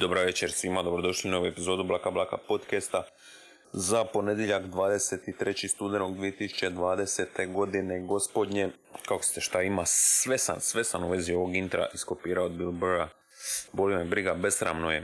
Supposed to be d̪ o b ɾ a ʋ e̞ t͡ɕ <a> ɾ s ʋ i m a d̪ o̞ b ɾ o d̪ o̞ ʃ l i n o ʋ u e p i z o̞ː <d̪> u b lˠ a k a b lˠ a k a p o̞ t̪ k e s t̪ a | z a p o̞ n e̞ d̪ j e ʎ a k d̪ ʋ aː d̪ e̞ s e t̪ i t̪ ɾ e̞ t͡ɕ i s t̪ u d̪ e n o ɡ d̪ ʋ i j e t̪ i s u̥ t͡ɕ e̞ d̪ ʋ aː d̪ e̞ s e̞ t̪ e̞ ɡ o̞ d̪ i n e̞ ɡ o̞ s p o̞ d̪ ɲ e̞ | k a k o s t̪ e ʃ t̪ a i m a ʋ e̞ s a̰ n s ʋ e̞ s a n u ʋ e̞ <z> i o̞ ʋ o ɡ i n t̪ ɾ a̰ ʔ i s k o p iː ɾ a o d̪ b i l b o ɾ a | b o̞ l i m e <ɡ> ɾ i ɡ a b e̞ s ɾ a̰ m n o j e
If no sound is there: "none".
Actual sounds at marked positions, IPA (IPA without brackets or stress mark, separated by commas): e, d̪, z, b